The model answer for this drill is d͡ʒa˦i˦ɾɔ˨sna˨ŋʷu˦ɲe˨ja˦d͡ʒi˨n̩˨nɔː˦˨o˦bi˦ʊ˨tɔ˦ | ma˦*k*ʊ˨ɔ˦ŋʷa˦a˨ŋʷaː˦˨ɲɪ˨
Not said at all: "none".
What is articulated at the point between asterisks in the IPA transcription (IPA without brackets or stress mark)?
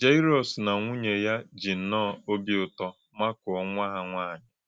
k